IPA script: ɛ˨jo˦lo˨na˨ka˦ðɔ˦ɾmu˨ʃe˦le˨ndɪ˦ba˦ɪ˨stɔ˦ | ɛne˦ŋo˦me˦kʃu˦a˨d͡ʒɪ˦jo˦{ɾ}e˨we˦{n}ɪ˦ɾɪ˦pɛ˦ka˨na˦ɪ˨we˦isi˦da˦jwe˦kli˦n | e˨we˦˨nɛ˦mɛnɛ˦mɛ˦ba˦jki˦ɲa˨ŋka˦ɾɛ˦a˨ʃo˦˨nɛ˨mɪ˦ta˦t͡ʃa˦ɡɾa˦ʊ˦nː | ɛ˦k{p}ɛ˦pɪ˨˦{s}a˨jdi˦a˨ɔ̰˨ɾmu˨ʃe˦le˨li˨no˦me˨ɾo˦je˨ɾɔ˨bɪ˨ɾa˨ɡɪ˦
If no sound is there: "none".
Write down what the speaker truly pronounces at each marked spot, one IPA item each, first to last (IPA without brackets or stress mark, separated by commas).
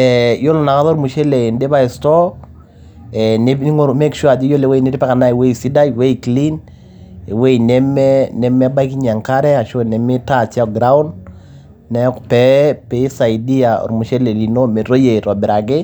l, n, p, s